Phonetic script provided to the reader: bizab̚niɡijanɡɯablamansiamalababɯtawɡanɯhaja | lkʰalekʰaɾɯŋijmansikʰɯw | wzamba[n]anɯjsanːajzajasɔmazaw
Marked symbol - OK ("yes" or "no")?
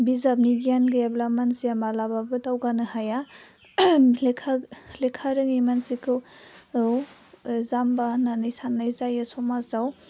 yes